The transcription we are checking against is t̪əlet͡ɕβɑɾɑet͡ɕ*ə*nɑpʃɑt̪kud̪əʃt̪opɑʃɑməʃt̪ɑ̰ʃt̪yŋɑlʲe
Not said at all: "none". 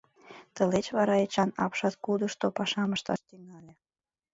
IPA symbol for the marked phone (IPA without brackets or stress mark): ɑ